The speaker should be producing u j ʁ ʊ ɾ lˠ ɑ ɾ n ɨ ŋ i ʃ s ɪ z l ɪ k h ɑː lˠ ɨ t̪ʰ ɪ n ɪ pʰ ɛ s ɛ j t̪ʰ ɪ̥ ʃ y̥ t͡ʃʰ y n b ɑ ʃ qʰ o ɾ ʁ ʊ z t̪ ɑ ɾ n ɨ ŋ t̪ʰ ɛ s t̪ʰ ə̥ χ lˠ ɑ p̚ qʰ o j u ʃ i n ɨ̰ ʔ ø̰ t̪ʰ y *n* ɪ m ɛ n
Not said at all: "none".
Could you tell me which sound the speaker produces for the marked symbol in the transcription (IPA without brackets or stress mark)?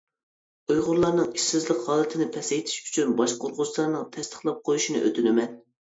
n